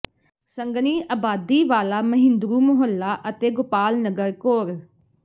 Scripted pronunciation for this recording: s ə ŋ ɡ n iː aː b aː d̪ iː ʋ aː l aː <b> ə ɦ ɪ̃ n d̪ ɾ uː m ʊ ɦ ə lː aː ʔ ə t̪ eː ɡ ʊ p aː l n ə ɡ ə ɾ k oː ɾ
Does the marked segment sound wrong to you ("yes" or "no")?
yes